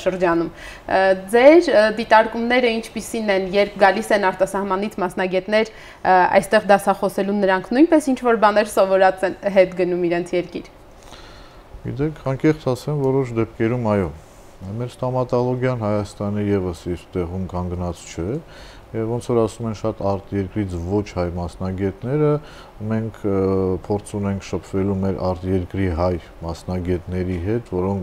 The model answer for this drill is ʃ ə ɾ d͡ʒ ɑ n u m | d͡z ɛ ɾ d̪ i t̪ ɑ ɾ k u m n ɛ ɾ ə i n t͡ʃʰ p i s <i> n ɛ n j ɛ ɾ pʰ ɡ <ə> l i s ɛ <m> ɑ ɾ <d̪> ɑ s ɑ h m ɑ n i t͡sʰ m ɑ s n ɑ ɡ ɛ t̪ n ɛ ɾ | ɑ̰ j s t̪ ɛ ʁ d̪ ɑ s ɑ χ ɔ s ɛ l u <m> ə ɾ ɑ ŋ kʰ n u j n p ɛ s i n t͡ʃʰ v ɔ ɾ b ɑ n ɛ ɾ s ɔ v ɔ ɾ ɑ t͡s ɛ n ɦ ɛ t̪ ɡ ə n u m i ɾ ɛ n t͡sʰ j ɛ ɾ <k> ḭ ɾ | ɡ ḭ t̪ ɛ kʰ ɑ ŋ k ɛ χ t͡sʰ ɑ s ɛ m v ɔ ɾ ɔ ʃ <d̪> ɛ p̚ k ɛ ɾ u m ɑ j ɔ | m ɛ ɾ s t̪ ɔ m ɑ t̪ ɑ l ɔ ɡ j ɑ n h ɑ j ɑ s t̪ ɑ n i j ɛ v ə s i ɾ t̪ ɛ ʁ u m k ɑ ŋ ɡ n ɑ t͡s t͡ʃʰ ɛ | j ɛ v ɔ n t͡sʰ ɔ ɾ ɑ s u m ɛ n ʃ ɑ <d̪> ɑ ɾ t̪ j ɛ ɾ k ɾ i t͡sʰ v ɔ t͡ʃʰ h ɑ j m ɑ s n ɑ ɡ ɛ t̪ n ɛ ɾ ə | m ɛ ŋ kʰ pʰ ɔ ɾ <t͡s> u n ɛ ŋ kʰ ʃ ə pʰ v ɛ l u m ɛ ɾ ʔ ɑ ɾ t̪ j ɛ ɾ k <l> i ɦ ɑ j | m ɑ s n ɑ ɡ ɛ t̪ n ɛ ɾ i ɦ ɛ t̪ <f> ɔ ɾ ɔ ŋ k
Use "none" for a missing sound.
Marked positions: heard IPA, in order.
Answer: i, ɑ, n, t̪, n, k, d̪, t̪, t͡sʰ, ɾ, v

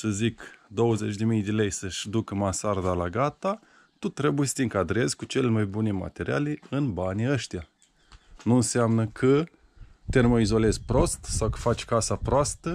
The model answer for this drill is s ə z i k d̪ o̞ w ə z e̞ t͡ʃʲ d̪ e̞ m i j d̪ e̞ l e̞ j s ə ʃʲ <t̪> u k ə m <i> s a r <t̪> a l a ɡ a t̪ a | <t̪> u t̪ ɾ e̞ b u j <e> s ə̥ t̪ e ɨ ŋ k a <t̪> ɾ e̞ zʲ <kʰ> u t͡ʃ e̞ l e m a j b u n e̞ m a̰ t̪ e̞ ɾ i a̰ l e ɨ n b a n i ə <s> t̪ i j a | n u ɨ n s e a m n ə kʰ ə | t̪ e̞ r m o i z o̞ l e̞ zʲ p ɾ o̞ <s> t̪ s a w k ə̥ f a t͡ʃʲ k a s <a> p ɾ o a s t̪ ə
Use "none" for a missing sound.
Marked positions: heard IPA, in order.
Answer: d̪, a, d̪, t̪, e, d̪, k, ʃ, s, a

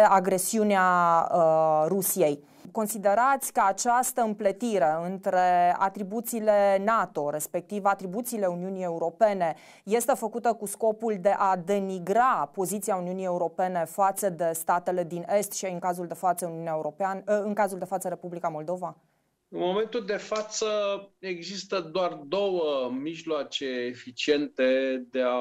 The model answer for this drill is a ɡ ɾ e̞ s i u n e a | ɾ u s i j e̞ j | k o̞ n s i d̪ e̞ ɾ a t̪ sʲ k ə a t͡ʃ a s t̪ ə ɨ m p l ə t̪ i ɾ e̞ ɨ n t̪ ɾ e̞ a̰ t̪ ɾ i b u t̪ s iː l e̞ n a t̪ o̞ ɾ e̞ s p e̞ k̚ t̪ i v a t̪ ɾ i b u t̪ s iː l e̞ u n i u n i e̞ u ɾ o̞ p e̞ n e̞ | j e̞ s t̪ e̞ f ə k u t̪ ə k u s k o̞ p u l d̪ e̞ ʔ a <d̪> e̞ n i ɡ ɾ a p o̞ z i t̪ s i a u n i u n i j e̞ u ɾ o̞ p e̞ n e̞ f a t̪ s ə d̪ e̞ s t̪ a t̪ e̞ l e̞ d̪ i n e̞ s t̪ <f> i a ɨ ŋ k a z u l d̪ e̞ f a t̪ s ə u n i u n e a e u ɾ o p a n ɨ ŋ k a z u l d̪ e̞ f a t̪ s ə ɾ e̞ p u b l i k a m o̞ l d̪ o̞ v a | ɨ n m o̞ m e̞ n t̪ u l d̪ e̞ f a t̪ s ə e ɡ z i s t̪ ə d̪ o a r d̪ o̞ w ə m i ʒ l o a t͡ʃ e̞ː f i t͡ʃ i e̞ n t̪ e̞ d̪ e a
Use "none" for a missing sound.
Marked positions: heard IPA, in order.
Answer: d̪, ʃ

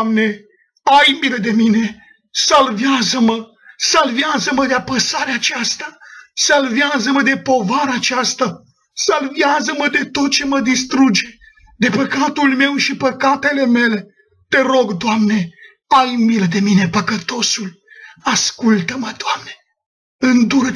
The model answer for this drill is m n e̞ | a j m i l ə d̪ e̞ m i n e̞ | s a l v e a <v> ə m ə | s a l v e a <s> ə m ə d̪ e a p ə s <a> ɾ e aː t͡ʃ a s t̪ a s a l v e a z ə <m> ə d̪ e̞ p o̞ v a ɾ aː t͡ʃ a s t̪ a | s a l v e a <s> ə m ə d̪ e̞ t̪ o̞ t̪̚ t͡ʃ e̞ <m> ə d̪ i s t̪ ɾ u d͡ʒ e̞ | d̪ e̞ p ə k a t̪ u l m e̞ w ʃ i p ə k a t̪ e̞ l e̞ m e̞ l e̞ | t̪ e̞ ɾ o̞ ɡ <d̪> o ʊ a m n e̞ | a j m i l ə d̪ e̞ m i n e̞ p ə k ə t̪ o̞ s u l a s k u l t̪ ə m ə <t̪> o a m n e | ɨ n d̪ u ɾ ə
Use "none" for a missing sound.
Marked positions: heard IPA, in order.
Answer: z, z, a, m, z, m, d̪, d̪

